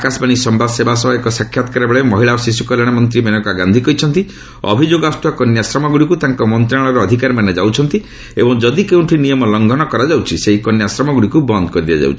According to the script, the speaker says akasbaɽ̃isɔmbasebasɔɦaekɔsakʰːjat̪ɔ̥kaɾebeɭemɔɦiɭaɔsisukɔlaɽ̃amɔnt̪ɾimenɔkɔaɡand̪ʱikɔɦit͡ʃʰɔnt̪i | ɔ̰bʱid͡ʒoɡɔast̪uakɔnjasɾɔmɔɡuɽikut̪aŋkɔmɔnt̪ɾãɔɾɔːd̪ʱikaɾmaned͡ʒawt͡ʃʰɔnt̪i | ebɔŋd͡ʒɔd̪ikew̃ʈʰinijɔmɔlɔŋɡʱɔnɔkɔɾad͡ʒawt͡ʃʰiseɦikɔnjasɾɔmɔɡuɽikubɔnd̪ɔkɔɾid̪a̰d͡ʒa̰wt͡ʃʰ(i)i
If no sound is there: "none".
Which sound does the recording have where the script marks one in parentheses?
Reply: i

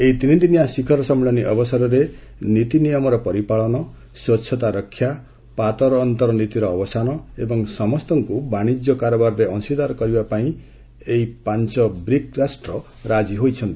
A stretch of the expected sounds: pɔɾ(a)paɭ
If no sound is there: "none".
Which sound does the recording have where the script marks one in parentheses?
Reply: i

